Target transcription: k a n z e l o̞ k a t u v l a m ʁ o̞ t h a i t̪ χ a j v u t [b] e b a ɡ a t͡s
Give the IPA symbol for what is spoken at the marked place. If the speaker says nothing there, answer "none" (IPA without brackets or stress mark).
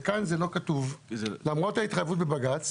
b